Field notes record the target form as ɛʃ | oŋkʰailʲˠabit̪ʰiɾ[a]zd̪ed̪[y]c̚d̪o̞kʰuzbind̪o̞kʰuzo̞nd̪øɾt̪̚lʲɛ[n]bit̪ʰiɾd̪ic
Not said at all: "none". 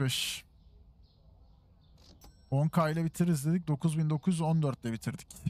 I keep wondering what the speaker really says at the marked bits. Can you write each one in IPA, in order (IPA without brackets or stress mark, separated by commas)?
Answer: i, i, none